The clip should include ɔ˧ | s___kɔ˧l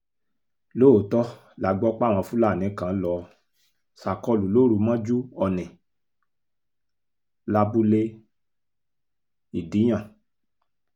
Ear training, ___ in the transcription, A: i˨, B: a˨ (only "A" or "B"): B